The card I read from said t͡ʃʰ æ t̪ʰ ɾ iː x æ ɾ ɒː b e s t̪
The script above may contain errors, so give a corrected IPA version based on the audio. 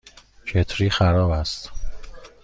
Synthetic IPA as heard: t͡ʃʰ e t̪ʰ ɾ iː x æ ɾ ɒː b æ s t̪